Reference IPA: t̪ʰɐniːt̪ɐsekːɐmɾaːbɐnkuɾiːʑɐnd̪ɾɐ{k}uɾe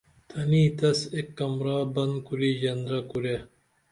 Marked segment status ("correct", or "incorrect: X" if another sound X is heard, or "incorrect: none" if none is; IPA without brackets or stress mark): correct